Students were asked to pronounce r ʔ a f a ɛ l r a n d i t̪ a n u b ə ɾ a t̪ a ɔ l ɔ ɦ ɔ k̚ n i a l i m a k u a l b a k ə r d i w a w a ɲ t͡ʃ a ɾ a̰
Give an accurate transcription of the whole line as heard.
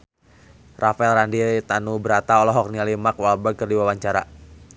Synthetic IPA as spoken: r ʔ a f a ɛ l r a n d i t̪ a n u b ə ɾ a t̪ a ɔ l ɔ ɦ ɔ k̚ n i a l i m a k w a l b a k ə r d i w a w a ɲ t͡ʃ a ɾ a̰